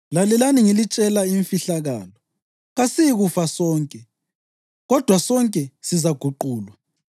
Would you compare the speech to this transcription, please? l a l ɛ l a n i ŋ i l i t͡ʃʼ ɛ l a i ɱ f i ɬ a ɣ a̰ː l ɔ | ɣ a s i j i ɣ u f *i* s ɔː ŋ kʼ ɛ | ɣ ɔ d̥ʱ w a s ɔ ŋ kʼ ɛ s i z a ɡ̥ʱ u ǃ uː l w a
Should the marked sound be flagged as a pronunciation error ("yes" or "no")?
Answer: yes